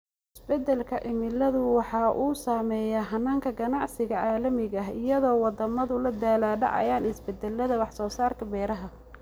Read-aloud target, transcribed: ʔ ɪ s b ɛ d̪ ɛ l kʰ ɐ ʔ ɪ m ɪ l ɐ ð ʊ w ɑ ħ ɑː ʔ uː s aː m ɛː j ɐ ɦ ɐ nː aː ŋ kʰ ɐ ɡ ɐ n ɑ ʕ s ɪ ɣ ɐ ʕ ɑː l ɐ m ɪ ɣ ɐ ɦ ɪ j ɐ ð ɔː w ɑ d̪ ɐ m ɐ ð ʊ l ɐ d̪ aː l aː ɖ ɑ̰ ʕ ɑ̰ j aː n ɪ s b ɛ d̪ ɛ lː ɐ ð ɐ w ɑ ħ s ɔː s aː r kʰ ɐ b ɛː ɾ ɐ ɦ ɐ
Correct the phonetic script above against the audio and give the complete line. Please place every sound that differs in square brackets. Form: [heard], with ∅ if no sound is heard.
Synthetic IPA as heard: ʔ ɪ s b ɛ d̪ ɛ l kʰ ɐ ʔ ɪ m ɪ l ɐ ð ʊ w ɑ ħ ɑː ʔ uː s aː m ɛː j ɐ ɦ ɐ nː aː ŋ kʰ ɐ ɡ ɐ n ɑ ʕ s ɪ ɣ ɐ ʕ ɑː l ɐ m ɪ ɣ ɐ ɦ ɪ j ɐ ð ɔː w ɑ d̪ ɐ m ɐ ð ʊ l ɐ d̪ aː l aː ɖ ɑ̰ ʕ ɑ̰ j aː n ɪ s b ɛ d̪ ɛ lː ɐ ð ɐ w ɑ ħ s ɔː s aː r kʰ ɐ b ɛː ɾ ɐ ɦ ɐ